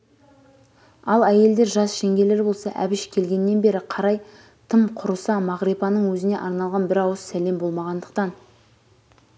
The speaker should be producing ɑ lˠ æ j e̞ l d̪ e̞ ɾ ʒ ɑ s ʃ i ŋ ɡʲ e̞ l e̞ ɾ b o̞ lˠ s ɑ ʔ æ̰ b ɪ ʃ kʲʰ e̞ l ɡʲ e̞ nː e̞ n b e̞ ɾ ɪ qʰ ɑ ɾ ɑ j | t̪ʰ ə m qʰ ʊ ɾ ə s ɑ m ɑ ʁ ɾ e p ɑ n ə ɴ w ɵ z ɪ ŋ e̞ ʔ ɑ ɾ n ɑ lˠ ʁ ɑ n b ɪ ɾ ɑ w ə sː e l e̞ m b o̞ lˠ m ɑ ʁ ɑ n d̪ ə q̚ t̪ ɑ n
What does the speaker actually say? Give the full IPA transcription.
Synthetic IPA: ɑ lˠ æ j e̞ l d̪ e̞ ɾ ʒ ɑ s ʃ e ŋ ɡʲ e̞ l e̞ ɾ b o̞ lˠ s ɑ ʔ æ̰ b ɪ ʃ kʲʰ e̞ l ɡʲ e̞ nː e̞ n b e̞ ɾ ɪ qʰ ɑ ɾ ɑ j | t̪ʰ ə m qʰ ʊ ɾ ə s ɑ m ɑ ʁ ɾ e p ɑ n ə ɴ w ɵ z ɪ n e̞ ʔ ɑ ɾ n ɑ lˠ ʁ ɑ n b ɪ ɾ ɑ w ə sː æ l e̞ m b o̞ lˠ m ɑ ʁ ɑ n d̪ ə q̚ t̪ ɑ n